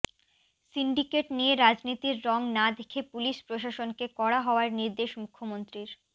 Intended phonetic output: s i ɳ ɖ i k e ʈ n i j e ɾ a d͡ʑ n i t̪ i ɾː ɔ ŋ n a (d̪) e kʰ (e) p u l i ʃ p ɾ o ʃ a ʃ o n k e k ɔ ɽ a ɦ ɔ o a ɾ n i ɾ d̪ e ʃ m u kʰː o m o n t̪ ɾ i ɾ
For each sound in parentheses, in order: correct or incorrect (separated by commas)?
correct, correct